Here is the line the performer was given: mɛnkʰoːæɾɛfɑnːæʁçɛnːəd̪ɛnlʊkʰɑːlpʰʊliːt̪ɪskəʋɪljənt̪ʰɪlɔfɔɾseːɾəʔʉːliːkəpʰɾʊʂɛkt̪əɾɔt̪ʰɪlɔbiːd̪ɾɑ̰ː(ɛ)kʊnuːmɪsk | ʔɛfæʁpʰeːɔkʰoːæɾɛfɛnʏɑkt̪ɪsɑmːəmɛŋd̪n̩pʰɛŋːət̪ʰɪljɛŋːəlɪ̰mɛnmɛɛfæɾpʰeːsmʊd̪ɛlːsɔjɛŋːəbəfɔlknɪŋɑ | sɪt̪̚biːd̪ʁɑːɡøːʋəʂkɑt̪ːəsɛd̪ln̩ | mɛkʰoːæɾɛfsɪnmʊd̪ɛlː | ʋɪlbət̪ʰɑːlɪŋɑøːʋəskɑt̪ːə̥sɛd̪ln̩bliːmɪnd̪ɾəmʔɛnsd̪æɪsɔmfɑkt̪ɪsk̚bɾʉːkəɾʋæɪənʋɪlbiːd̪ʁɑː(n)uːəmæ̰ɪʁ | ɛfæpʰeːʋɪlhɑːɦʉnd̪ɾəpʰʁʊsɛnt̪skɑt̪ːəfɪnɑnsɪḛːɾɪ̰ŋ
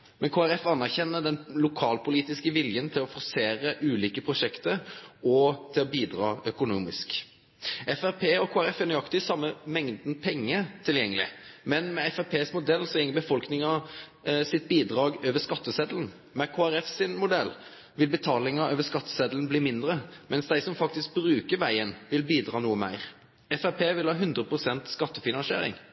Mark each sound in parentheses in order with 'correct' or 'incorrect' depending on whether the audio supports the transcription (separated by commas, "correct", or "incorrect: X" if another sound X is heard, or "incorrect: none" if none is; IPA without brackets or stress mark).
incorrect: œ, correct